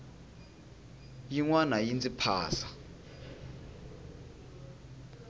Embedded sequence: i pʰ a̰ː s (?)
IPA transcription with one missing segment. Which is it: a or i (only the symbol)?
a